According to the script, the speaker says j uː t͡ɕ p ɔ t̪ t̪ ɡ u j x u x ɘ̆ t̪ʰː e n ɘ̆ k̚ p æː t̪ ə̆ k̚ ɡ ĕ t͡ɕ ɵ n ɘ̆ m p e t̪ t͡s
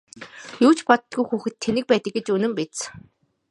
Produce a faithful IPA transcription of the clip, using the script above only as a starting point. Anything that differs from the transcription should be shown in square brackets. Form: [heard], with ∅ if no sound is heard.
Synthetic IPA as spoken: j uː t͡ɕ p ɔ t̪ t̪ ɡ u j x [uː] x ɘ̆ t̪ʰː e n ɘ̆ k̚ p æː t̪ ə̆ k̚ ɡ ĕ t͡ɕ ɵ n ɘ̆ m p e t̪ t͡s